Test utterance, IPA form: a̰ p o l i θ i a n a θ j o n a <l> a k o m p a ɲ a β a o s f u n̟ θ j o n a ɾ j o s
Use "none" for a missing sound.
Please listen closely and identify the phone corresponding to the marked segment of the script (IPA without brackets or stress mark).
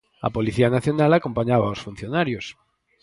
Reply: l